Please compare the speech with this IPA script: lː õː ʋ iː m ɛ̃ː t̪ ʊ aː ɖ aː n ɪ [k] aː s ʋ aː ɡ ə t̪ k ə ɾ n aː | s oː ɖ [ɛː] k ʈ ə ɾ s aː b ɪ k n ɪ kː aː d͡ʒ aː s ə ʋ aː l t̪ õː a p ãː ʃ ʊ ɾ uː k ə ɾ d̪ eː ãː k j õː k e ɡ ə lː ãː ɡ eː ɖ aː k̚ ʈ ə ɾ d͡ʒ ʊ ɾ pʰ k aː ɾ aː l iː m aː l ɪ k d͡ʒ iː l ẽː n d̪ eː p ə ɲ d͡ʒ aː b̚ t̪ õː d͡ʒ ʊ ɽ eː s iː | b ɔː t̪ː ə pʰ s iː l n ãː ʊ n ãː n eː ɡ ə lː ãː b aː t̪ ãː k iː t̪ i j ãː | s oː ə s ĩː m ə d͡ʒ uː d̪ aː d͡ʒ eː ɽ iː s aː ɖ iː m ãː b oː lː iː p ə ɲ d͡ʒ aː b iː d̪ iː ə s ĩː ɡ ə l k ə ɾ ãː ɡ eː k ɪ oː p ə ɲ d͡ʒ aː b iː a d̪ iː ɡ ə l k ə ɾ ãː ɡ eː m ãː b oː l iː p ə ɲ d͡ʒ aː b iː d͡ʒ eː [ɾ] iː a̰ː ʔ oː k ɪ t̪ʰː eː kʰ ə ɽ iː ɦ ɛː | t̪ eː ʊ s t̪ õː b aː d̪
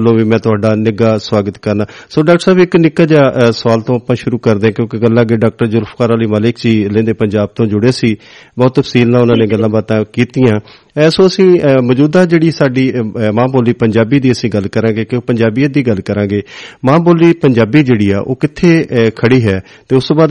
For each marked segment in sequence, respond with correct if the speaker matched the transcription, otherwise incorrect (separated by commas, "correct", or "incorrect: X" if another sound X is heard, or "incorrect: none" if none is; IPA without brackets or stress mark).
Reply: incorrect: ɡ, incorrect: aː, incorrect: ɽ